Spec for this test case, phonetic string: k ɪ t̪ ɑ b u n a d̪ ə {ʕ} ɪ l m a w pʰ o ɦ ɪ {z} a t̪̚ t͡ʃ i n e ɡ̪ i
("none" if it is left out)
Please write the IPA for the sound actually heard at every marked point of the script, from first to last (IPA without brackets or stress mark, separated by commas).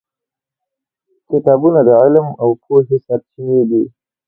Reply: ʕ, s